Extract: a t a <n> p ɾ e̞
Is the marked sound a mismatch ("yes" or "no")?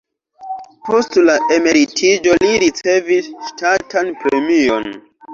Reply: no